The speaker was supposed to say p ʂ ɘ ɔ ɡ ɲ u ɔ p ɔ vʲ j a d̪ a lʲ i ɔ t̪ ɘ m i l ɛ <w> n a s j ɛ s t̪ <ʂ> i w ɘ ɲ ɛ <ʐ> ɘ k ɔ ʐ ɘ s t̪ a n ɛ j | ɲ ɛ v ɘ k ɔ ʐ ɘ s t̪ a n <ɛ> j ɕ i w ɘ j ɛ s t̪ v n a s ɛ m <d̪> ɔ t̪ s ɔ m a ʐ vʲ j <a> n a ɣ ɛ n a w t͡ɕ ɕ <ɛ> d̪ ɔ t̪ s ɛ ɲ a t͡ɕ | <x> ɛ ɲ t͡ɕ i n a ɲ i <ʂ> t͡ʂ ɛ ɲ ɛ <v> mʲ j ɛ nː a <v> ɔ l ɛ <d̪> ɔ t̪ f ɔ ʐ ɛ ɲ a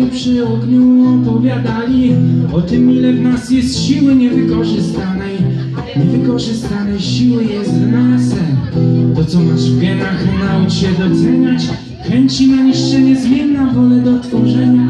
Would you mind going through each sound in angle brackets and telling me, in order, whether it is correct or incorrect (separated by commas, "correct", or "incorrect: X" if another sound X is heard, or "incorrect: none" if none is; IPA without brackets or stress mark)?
incorrect: v, incorrect: ɕ, incorrect: v, correct, incorrect: t̪, incorrect: ɛ, correct, correct, correct, incorrect: z, correct, correct